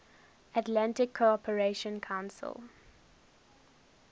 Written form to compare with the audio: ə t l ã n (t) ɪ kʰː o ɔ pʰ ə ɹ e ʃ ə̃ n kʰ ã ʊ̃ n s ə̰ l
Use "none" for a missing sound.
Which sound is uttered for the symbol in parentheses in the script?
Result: t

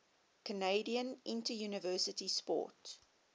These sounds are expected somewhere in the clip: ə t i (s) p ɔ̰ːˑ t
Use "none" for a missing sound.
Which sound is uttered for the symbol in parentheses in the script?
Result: s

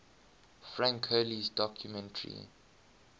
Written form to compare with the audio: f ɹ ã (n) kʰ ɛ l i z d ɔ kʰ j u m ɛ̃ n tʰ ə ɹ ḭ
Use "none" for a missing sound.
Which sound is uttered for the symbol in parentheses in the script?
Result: ŋ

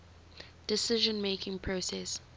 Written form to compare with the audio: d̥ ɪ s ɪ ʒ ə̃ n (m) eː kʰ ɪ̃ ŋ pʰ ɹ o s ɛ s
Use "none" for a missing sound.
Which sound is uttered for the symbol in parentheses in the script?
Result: m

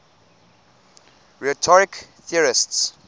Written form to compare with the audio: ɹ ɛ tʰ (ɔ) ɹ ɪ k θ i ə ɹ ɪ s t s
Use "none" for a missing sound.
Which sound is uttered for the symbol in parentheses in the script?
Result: ɔ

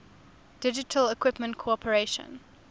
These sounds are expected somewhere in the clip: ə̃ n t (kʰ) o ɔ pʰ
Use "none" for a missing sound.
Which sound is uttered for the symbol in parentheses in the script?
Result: kʰ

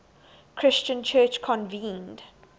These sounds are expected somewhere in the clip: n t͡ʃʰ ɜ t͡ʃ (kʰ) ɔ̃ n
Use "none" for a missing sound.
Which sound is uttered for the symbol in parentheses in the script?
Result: kʰ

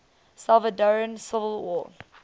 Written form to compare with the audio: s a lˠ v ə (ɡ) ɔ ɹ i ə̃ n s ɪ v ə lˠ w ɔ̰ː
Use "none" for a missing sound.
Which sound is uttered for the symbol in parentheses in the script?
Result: d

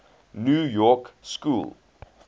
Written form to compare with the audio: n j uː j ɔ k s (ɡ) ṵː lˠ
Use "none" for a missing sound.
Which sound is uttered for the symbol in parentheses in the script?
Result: k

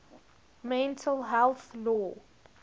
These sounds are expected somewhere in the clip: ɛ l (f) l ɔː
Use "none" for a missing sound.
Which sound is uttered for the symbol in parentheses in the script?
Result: θ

